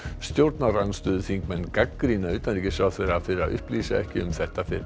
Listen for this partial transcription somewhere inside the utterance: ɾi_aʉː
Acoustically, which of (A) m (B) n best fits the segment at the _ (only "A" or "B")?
B